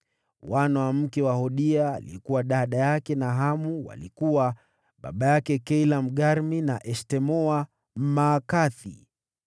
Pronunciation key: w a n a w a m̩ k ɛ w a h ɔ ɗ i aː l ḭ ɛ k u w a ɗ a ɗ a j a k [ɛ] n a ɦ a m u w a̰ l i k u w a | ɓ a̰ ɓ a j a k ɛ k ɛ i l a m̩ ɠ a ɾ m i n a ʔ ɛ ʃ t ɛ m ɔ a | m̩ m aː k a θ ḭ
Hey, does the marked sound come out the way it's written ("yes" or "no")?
yes